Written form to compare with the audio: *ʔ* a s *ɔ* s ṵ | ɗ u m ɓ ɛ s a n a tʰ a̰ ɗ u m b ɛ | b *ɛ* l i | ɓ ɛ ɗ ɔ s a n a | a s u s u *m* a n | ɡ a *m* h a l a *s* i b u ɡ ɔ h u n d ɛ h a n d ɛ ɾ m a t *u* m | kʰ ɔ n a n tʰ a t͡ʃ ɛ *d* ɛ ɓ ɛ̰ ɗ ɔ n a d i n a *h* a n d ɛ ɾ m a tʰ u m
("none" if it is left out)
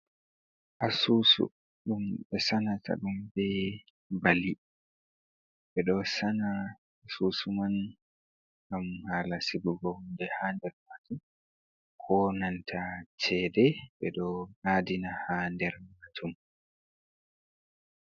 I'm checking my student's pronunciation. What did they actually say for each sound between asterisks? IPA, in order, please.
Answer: ʔ, u, a, m, m, s, u, d, h

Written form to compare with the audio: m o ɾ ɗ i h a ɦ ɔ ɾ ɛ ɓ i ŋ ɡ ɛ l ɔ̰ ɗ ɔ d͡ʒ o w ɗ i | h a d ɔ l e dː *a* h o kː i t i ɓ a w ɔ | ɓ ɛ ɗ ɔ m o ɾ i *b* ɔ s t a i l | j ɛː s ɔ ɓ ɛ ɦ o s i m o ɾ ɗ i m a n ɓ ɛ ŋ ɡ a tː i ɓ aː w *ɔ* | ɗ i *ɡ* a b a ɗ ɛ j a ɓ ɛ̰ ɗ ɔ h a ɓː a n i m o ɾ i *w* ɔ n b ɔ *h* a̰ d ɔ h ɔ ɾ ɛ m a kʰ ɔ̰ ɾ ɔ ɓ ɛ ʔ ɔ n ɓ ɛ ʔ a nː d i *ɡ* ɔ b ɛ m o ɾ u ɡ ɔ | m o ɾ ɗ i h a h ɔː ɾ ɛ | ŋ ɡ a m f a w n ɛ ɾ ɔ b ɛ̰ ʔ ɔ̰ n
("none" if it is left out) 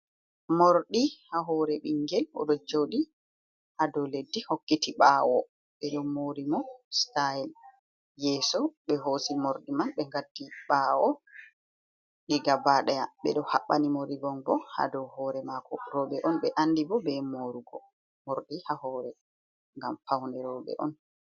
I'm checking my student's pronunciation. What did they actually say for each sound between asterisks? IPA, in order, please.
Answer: i, m, ɔ, ɡ, b, h, b

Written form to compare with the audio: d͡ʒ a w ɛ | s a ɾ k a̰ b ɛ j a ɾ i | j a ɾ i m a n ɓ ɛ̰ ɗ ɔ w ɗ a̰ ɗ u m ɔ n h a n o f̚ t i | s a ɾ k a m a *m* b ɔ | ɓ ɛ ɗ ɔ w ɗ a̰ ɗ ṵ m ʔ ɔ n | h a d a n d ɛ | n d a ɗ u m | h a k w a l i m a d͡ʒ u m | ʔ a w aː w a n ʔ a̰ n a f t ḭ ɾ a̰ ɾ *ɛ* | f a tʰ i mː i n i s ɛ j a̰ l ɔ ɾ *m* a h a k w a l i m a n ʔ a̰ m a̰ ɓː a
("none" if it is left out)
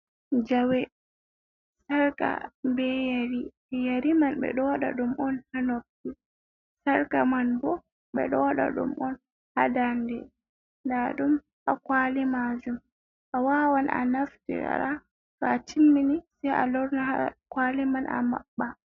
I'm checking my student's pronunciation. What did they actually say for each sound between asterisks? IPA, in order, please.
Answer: n, a, n

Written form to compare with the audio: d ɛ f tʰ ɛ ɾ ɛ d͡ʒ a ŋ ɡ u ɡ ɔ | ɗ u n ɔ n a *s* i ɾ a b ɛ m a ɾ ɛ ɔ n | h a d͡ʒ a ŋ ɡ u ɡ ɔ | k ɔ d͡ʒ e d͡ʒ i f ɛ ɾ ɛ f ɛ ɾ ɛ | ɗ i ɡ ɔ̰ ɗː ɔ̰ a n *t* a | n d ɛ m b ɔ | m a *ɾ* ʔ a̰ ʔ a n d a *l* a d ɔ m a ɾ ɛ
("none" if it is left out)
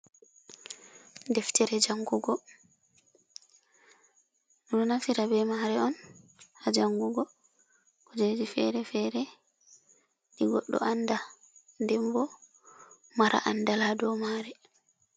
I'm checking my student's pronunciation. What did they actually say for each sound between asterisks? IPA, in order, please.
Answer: f, d, ɾ, l

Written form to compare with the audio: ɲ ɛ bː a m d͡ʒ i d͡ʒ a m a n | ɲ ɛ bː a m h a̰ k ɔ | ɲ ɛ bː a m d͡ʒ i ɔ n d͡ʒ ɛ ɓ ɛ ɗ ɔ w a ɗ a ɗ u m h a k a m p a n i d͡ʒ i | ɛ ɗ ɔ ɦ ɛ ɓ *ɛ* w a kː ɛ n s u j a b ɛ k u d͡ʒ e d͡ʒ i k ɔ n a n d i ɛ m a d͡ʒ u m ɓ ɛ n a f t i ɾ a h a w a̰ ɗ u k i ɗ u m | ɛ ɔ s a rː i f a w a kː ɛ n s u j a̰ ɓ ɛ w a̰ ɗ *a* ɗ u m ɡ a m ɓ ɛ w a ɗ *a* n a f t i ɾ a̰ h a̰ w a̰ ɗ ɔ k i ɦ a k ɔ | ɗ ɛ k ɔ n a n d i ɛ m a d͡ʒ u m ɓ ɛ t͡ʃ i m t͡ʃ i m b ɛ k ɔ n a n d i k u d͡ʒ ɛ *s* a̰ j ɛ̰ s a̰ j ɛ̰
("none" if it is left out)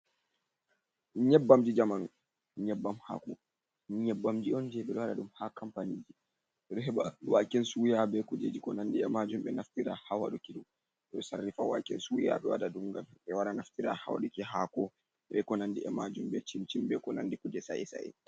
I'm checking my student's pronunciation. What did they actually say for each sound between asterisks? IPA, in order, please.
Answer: a, a, a, s

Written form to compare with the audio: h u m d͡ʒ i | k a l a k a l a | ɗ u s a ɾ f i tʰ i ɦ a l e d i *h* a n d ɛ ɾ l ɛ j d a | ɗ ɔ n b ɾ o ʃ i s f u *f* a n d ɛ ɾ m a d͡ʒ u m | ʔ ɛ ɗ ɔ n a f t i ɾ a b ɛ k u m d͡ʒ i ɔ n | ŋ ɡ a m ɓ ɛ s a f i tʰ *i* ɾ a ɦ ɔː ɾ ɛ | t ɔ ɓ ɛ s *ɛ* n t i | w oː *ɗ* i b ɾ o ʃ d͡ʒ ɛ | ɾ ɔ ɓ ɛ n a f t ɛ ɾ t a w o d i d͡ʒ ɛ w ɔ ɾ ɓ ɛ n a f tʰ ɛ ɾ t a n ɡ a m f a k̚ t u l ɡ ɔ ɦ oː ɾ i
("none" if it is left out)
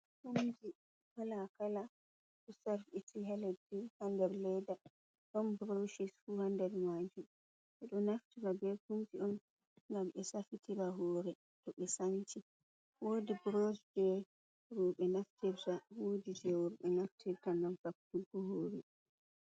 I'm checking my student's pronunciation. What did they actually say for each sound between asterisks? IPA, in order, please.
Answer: h, h, i, a, d

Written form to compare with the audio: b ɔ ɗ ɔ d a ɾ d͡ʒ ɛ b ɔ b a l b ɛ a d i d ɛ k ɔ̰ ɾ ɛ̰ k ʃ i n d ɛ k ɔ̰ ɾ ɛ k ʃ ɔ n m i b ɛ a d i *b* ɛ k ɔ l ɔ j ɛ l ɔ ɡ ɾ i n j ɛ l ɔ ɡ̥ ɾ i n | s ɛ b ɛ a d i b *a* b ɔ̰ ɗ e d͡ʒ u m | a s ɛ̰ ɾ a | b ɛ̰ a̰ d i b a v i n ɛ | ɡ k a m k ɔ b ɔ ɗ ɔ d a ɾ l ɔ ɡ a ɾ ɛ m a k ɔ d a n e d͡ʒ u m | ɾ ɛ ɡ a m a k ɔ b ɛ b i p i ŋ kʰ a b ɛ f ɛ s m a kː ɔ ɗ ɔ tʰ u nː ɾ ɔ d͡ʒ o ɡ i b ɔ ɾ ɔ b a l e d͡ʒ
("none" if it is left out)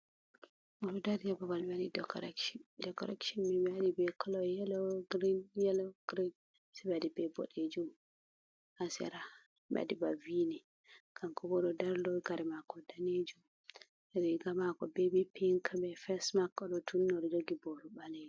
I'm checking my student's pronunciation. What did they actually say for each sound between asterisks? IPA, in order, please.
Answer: b, ɛ

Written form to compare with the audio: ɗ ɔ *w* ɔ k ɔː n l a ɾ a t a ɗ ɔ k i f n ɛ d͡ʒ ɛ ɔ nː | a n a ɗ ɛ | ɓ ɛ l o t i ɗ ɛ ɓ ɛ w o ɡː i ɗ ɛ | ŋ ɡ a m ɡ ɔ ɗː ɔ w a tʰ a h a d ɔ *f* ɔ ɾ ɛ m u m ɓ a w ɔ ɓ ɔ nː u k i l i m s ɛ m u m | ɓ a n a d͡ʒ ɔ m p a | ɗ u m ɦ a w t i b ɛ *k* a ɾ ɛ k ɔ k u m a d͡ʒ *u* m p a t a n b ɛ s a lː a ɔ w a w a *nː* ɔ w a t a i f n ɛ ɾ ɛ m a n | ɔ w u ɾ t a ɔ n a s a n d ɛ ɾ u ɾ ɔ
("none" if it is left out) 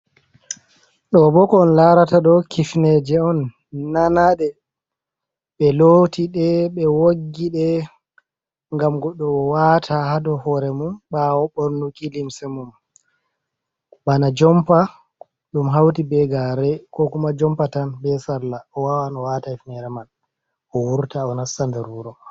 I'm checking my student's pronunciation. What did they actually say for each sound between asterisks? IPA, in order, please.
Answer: b, h, ɡ, ɔ, n

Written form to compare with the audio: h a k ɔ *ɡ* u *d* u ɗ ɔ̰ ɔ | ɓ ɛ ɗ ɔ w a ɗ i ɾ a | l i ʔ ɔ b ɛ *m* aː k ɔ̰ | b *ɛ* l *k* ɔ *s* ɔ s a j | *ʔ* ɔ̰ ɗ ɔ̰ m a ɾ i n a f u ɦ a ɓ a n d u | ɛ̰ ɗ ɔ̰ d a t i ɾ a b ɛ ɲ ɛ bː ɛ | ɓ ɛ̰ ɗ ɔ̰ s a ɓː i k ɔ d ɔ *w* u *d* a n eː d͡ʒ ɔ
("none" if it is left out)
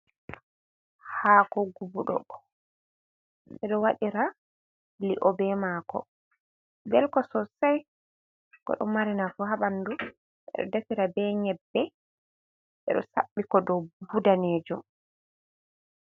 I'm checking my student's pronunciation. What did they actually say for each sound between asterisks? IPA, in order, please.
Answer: ɡ, b, m, ɛ, k, s, k, b, d

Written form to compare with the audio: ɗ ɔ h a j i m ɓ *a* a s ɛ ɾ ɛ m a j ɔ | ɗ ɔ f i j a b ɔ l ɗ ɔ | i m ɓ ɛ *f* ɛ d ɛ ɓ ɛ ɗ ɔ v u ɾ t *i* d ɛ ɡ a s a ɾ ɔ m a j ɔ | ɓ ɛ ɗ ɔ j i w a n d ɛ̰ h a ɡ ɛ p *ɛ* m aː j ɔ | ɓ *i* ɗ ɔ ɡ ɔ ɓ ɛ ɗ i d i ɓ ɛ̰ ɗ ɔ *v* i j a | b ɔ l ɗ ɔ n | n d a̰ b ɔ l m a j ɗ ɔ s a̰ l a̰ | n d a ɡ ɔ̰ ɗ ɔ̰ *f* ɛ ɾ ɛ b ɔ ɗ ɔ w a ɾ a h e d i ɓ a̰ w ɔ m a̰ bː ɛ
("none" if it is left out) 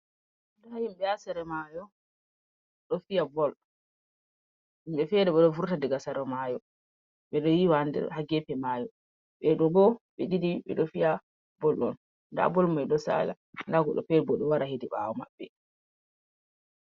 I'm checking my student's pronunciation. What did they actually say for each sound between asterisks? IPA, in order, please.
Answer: ɛ, f, a, ɛ, ɛ, f, f

